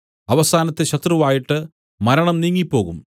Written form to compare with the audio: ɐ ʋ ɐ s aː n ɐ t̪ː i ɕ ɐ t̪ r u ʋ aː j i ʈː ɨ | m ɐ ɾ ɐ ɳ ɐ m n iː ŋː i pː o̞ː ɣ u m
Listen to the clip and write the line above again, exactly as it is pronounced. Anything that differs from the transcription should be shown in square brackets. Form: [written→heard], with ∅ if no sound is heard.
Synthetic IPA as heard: ɐ ʋ ɐ s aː n ɐ t̪ː [i→e] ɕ ɐ t̪ r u ʋ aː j i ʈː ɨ | m ɐ ɾ ɐ ɳ ɐ m n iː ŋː i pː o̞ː ɣ u m